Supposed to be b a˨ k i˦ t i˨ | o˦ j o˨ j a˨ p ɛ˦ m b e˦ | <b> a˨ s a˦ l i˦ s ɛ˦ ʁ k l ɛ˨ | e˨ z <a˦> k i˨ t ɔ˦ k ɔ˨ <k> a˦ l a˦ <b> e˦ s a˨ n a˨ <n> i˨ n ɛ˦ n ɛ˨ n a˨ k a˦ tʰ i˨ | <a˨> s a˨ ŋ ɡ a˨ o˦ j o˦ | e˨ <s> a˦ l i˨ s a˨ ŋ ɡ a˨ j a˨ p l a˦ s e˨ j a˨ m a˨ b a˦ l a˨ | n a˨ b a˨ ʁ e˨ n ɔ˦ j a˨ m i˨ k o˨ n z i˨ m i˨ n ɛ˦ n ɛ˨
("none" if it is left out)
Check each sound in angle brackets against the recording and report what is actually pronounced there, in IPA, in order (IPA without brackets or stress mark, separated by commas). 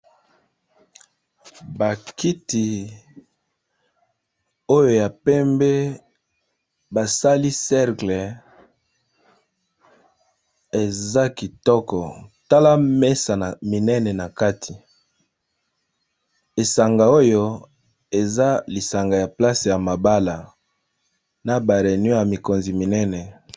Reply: b, a˦, t, m, m, e˨, z